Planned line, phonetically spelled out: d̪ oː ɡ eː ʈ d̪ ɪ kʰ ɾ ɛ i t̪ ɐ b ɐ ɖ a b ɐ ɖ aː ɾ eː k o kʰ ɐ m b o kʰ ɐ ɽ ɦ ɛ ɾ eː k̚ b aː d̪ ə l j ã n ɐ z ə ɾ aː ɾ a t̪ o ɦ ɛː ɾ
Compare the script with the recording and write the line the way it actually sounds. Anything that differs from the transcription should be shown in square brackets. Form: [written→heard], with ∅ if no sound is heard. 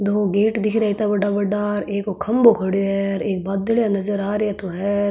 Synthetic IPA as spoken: d̪ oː ɡ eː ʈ d̪ ɪ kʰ ɾ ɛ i t̪ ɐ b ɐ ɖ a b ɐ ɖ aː ɾ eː k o kʰ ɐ m b o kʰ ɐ ɽ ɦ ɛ ɾ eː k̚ b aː d̪ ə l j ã n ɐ z ə ɾ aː ɾ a t̪ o ɦ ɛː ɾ